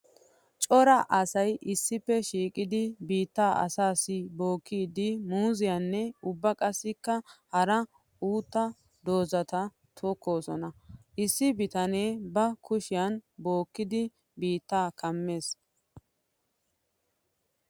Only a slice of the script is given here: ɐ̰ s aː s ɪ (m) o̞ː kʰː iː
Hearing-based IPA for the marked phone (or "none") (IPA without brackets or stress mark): b